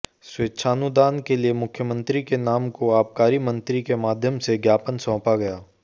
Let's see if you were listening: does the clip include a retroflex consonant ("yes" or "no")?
no